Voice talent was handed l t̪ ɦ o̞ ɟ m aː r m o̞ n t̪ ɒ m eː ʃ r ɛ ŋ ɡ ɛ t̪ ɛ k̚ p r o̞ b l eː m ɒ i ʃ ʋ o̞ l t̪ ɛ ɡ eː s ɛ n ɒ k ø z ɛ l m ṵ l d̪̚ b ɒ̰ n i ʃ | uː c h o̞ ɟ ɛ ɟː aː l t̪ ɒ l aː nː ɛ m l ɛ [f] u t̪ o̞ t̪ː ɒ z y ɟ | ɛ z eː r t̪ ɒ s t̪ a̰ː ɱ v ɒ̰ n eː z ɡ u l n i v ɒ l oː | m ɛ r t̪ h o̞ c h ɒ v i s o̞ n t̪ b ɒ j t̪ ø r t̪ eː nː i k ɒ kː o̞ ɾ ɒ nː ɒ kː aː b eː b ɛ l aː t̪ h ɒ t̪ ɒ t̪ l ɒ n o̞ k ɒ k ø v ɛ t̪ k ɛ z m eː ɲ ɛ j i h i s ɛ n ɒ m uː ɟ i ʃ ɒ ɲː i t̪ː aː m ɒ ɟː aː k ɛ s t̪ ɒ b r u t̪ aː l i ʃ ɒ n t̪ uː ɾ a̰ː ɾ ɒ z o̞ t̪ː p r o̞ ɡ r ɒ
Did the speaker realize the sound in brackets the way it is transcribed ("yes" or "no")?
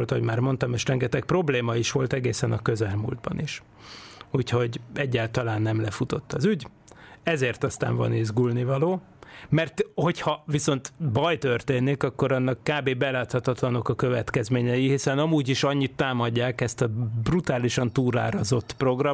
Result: yes